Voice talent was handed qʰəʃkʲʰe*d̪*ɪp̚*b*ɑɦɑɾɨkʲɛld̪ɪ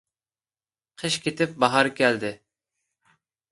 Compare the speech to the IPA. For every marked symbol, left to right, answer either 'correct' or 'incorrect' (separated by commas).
incorrect, correct